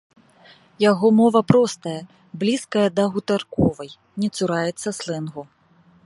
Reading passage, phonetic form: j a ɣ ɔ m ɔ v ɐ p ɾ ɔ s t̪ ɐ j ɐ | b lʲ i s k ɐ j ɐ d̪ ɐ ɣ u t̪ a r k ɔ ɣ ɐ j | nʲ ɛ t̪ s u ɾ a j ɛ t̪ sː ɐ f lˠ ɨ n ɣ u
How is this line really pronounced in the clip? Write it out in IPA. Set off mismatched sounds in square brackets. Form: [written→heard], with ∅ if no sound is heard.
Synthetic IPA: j a ɣ ɔ m ɔ v ɐ p ɾ ɔ s t̪ ɐ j ɐ | b lʲ i s k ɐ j ɐ d̪ ɐ ɣ u t̪ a r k ɔ [ɣ→v] ɐ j | nʲ ɛ t̪ s u ɾ a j ɛ t̪ sː ɐ [f→s] lˠ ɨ n ɣ u